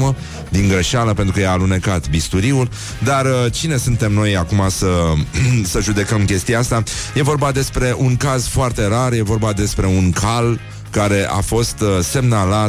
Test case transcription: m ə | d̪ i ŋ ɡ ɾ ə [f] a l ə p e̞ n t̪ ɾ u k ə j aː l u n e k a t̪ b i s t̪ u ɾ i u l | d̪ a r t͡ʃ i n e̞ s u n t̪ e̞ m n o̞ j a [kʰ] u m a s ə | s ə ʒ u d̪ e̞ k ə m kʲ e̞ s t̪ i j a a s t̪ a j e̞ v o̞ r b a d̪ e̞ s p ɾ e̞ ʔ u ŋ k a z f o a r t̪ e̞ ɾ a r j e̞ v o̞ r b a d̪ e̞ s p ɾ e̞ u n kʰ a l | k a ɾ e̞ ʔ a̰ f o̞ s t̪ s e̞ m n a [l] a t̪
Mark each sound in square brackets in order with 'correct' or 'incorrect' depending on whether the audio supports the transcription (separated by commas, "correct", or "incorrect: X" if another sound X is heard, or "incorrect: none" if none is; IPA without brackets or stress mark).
incorrect: ʃ, incorrect: k, correct